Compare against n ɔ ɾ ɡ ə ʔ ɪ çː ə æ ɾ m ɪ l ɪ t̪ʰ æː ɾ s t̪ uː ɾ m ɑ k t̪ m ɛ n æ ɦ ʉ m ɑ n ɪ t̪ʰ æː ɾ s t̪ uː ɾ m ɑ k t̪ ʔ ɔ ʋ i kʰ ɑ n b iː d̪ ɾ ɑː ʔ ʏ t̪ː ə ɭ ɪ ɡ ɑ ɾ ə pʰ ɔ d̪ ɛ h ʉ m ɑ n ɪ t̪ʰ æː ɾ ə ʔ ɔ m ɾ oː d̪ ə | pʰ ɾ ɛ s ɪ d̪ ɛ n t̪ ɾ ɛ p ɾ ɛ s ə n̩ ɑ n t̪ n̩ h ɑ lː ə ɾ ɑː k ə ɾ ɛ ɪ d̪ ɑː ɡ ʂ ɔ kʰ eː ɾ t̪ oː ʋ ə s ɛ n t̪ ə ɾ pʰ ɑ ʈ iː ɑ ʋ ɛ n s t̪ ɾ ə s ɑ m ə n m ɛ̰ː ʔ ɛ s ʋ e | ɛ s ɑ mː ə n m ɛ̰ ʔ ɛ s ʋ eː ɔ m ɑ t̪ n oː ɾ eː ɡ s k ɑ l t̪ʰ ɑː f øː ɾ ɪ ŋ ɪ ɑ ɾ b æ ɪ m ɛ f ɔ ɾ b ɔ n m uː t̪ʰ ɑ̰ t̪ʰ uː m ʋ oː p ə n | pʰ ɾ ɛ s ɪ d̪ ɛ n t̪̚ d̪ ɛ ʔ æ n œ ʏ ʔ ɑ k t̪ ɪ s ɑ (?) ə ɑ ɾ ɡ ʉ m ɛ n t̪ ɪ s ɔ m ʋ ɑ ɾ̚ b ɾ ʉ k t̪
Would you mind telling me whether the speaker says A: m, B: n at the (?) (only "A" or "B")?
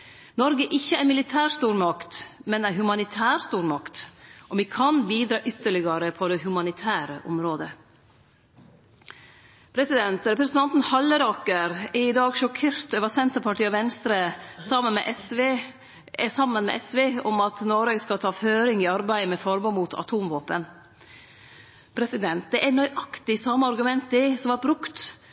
A